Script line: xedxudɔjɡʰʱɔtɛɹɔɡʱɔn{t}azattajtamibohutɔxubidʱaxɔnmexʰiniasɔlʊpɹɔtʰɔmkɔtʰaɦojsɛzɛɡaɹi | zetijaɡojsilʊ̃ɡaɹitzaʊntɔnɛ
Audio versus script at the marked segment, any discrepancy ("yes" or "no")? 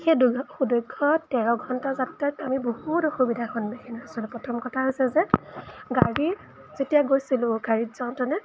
no